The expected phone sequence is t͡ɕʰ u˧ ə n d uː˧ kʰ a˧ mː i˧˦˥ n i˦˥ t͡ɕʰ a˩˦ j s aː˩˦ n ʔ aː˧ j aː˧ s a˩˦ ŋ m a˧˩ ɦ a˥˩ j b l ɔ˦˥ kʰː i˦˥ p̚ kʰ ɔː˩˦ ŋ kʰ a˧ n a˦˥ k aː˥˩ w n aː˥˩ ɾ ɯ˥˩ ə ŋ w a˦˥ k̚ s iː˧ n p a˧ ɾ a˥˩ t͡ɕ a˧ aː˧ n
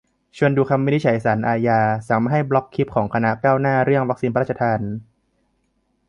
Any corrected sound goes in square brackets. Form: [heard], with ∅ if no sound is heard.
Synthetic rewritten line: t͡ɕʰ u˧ ə n d uː˧ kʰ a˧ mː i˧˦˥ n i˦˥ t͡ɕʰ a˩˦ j s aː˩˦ n ʔ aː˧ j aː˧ s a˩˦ ŋ m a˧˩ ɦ a˥˩ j b l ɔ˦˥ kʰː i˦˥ p̚ kʰ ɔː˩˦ ŋ kʰ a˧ n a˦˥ k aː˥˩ w n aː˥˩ ɾ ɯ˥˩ ə ŋ w a˦˥ k̚ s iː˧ n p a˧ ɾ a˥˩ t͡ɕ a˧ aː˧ n